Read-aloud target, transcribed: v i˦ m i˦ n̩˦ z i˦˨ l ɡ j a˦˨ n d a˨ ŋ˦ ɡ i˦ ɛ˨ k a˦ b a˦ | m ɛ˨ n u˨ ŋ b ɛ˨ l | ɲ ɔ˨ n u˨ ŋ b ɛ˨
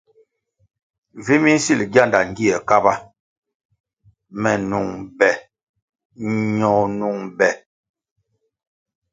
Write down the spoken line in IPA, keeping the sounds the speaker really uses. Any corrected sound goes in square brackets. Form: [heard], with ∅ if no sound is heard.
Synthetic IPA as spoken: v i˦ m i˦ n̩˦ [s] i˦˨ l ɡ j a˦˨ n d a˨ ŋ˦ ɡ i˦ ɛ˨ k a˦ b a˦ | m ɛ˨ n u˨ ŋ b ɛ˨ [∅] | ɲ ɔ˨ n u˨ ŋ b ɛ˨